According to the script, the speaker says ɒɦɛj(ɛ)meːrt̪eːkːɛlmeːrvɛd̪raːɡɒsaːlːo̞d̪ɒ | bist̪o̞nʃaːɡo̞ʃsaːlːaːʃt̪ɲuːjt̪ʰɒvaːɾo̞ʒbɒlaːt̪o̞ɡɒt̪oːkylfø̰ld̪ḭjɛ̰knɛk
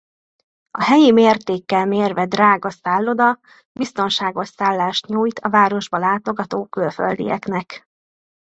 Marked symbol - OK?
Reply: no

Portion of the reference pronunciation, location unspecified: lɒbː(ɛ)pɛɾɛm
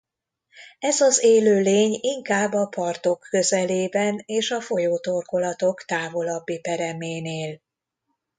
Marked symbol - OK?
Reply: no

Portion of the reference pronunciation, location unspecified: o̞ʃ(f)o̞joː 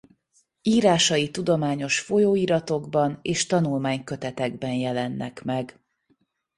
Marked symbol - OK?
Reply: yes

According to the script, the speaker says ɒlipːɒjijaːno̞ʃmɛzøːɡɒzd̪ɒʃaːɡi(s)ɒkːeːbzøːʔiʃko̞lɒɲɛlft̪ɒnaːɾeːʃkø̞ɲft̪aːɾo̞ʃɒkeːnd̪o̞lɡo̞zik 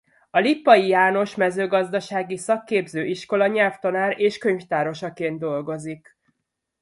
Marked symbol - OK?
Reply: yes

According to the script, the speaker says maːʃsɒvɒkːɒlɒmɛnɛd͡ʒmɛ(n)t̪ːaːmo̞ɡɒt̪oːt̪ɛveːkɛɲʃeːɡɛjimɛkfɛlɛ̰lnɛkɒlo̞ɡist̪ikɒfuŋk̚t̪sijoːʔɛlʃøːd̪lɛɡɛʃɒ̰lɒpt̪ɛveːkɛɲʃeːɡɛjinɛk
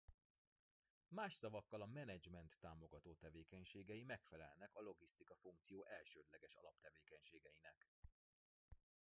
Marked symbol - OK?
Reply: yes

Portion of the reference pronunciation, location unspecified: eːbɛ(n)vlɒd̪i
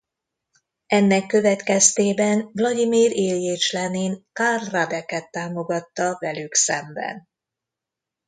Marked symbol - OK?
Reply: yes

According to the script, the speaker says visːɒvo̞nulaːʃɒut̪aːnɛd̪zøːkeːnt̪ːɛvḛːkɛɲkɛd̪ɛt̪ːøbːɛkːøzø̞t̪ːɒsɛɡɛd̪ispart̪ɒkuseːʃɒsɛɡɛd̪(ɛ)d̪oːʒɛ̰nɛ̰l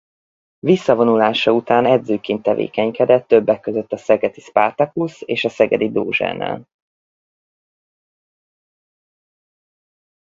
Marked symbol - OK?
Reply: no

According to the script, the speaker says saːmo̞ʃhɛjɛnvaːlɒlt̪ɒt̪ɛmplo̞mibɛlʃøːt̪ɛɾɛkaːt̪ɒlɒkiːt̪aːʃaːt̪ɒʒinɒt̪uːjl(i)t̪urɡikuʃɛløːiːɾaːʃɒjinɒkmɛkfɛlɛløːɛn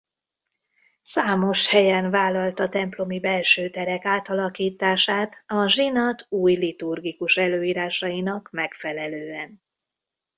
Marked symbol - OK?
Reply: yes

